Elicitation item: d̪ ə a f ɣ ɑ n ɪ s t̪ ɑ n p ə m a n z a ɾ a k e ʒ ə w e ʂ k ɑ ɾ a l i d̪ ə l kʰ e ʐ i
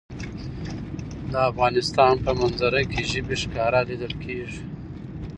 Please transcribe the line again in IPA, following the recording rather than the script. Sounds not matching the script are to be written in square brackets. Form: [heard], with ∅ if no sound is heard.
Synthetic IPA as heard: d̪ ə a f ɣ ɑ n ɪ s t̪ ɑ n p ə m a n z a ɾ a k e ʒ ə [b] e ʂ k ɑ ɾ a l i d̪ ə l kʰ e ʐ i